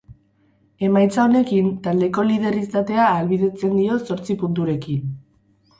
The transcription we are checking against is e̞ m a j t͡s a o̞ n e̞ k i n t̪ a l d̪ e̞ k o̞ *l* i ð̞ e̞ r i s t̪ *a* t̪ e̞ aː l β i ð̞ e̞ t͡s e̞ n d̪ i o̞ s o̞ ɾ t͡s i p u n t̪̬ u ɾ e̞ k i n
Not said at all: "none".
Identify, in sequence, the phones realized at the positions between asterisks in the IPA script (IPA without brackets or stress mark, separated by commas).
l, a